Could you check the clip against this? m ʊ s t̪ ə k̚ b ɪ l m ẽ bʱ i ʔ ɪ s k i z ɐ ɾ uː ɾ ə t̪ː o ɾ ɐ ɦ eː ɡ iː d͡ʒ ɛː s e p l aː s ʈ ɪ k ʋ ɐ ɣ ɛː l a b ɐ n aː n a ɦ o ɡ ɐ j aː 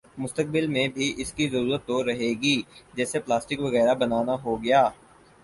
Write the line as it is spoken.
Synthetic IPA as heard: m ʊ s t̪ ə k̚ b ɪ l m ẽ bʱ i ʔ ɪ s k i z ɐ ɾ uː ɾ ə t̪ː o ɾ ɐ ɦ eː ɡ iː d͡ʒ ɛː s e p l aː s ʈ ɪ k ʋ ɐ ɣ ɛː ɾ a b ɐ n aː n a ɦ o ɡ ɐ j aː